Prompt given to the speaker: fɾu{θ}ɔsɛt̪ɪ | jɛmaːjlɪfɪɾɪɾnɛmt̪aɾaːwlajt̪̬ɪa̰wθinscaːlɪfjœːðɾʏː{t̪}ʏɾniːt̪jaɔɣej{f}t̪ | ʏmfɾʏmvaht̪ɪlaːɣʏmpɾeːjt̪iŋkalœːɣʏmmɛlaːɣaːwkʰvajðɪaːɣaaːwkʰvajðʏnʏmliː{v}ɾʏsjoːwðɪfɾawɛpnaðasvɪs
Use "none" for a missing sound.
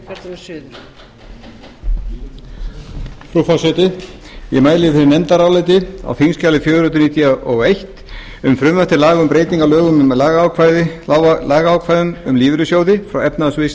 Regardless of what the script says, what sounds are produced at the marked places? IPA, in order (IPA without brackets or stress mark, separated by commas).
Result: f, t̪, h, v